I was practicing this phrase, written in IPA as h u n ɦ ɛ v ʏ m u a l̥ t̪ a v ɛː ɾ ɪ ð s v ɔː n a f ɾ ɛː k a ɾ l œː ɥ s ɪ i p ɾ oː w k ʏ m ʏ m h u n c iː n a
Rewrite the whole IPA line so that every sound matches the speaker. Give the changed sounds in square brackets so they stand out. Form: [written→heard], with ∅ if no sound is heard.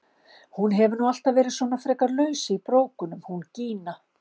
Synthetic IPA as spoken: h u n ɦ ɛ v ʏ [m→n] u a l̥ t̪ a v ɛː ɾ ɪ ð s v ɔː n a f ɾ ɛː k a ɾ l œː ɥ s ɪ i p ɾ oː w k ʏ [m→n] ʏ m h u n c iː n a